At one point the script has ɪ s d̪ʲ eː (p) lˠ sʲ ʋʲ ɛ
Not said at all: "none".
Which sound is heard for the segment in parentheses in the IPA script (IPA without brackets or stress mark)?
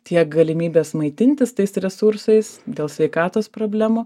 none